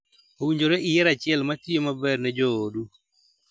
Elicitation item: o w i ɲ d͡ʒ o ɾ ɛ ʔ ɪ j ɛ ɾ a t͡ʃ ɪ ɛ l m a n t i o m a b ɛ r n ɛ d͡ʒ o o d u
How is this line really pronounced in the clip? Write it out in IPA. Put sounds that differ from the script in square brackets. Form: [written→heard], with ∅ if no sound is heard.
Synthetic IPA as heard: o w i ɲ d͡ʒ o ɾ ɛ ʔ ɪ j ɛ ɾ a t͡ʃ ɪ ɛ l m a [n→∅] t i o m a b ɛ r n ɛ d͡ʒ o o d u